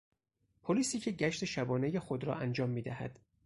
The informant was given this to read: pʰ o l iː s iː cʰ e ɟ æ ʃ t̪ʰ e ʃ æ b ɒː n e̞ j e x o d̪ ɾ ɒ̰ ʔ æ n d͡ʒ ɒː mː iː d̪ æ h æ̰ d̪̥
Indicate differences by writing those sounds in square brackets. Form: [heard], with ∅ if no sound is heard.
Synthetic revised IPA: pʰ o l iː s iː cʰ e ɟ æ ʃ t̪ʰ e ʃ æ b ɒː n e̞ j e x o d̪ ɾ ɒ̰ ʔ æ n d͡ʒ ɒː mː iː d̪ æ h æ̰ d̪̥